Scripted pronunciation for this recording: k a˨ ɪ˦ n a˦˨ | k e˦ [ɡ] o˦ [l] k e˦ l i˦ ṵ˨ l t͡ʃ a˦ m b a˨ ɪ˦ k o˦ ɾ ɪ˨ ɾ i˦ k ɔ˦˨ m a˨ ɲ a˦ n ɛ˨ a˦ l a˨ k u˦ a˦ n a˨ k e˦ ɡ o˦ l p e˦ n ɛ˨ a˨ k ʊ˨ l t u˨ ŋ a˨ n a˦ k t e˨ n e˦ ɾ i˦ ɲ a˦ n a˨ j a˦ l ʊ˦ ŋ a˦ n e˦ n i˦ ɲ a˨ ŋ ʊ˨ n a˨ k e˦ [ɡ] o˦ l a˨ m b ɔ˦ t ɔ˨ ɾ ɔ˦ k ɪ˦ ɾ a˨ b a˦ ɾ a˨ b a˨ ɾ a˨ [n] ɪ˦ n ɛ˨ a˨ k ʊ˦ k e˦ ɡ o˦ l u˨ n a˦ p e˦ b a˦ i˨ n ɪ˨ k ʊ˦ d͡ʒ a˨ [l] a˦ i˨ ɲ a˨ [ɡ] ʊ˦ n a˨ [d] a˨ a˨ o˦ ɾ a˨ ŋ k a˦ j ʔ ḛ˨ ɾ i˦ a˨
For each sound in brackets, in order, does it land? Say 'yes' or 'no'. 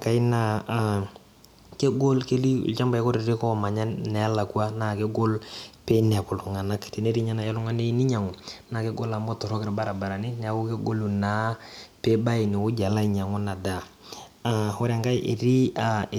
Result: yes, yes, yes, yes, yes, no, yes

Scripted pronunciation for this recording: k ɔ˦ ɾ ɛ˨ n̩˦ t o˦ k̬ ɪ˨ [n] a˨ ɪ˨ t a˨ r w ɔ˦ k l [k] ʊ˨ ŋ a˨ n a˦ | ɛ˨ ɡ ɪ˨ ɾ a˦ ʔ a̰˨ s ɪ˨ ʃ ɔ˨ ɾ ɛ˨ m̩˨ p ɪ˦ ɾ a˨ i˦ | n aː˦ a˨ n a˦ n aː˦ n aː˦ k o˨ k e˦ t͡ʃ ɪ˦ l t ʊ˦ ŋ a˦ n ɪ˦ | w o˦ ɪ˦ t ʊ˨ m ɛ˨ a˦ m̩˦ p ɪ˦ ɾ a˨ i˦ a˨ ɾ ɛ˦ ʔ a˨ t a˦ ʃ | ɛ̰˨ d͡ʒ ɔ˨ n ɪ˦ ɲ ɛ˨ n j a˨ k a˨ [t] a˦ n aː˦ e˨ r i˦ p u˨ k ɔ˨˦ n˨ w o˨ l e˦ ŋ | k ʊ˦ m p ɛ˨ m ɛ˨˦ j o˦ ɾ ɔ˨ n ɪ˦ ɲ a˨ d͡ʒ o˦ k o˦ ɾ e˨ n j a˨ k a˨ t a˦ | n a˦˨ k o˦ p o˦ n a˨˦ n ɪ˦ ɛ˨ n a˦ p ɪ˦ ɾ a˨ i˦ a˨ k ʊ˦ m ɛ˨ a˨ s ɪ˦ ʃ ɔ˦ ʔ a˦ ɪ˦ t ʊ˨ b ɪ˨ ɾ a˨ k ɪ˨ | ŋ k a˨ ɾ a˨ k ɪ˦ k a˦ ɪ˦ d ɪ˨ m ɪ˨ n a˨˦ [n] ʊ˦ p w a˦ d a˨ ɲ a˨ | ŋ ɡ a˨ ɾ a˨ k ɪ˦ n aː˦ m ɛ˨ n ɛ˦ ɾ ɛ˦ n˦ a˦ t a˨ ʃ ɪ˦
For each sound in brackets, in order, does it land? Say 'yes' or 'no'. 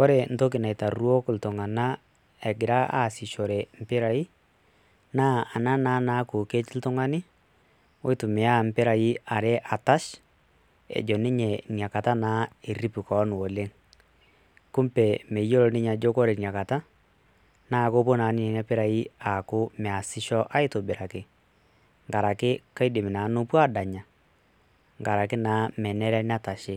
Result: yes, no, yes, yes

